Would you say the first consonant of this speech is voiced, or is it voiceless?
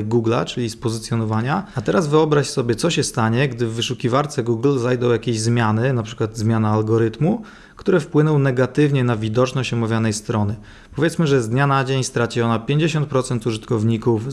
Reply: voiced